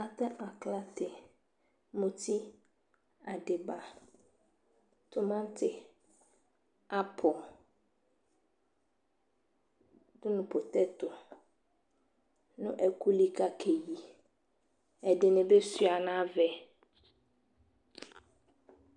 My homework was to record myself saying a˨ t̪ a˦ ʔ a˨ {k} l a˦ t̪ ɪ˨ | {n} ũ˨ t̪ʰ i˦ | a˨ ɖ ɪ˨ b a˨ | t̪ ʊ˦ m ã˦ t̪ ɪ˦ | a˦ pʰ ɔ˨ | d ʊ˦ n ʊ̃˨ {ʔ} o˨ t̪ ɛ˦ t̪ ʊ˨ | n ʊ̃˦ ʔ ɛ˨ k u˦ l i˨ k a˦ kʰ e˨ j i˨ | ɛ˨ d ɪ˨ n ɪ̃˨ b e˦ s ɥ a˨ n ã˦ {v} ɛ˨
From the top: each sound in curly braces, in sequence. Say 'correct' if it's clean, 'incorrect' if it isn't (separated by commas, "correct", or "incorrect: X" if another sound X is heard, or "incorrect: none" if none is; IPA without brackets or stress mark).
correct, incorrect: m, incorrect: p, correct